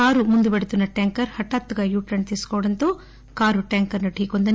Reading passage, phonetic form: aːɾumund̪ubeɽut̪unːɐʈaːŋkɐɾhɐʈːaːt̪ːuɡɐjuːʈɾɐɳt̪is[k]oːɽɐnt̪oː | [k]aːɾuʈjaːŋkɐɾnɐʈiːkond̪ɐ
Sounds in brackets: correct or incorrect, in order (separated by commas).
correct, correct